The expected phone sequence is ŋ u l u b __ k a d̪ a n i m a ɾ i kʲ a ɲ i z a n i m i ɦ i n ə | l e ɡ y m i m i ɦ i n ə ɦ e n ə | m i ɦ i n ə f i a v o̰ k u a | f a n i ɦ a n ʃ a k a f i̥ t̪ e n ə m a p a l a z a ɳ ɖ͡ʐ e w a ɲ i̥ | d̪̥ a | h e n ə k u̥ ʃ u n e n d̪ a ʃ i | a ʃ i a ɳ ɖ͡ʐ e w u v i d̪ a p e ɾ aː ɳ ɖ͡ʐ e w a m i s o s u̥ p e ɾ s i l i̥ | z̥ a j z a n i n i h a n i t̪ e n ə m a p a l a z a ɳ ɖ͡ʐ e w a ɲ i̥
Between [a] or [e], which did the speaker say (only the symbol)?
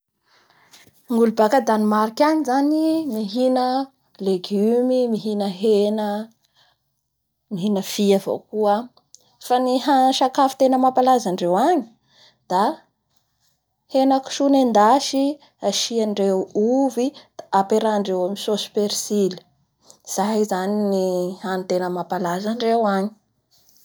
a